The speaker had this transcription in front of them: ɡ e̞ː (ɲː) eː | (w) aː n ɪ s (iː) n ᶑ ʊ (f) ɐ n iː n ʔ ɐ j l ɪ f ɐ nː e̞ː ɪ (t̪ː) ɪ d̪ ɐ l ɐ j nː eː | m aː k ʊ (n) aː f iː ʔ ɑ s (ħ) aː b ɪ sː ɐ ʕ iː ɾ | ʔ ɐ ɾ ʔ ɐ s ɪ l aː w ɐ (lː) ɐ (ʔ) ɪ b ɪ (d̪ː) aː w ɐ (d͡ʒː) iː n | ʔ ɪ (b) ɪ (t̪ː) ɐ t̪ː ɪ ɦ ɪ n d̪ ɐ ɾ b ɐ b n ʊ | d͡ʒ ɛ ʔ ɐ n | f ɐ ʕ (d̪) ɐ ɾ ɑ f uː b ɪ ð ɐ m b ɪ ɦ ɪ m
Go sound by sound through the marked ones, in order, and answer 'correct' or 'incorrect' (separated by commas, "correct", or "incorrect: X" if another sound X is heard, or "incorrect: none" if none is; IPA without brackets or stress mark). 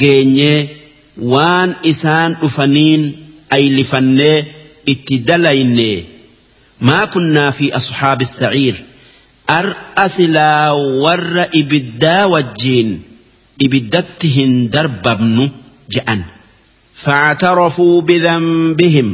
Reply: correct, correct, incorrect: aː, correct, correct, incorrect: nː, correct, incorrect: rː, correct, correct, correct, correct, incorrect: d̪ː, incorrect: t̪